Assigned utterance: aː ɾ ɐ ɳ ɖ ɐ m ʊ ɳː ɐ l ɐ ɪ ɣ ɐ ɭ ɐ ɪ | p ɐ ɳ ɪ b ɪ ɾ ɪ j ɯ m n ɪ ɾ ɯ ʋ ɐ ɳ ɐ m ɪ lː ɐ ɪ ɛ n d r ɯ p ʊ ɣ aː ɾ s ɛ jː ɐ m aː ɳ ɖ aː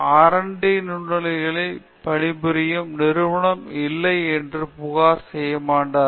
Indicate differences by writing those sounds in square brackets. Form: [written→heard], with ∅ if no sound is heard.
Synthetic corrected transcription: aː ɾ ɐ ɳ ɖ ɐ [m→n] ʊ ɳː ɐ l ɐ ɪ ɣ ɐ ɭ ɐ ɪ | p ɐ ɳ ɪ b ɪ ɾ ɪ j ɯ m n ɪ ɾ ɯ ʋ ɐ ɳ ɐ m ɪ lː ɐ ɪ ɛ n d r ɯ p ʊ ɣ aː ɾ s ɛ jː ɐ m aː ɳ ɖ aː